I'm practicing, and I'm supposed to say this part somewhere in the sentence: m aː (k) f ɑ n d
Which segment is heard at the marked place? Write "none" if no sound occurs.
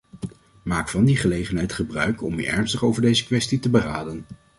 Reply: k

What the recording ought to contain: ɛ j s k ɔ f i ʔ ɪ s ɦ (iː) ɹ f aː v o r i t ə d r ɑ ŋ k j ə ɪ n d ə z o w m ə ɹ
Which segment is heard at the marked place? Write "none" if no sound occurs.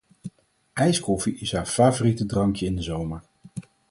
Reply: aː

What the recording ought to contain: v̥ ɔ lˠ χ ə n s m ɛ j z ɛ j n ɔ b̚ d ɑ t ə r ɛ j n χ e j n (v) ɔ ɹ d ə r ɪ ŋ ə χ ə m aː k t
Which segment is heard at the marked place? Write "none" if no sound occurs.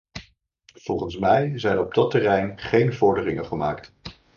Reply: v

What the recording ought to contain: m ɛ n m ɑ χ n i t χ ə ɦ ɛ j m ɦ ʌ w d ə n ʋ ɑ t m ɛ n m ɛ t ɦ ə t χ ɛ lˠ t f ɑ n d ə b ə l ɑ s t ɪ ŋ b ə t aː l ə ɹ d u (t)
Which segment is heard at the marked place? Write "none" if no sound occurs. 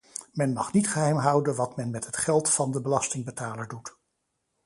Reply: t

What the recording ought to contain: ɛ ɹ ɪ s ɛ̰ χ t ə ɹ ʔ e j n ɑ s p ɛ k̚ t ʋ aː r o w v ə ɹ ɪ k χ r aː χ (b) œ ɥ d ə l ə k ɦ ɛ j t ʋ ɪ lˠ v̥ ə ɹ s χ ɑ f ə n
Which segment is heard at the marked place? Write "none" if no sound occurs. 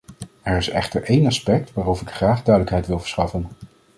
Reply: d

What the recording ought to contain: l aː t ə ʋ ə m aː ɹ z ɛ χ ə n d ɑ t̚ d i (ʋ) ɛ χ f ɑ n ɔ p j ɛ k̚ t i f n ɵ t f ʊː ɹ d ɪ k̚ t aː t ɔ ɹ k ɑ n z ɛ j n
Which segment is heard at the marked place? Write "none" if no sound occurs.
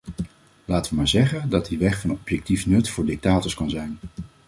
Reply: ʋ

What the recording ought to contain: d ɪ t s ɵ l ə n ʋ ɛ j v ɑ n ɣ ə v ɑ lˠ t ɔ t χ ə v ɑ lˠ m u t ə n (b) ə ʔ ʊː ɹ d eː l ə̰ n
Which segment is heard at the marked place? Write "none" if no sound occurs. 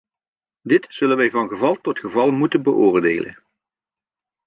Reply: b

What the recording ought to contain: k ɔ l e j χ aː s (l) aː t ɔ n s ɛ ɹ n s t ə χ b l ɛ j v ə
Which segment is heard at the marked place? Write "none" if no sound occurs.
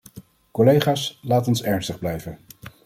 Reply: l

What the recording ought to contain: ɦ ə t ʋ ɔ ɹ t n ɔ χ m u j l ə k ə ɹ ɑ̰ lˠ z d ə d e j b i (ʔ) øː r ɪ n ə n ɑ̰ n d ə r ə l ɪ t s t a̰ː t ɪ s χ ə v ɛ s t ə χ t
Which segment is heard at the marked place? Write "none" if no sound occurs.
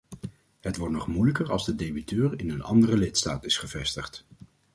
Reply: t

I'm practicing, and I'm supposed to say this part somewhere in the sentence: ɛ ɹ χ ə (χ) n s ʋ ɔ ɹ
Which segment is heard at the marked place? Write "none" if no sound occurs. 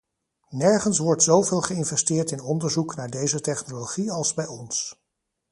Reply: none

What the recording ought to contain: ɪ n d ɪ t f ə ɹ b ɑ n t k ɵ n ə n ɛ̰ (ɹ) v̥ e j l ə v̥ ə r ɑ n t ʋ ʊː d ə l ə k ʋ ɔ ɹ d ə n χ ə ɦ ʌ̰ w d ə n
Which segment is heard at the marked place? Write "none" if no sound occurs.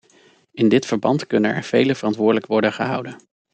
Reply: ɹ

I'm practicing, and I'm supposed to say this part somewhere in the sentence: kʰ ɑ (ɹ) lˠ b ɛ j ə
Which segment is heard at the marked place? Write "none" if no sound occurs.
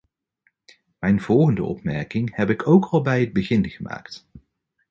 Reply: none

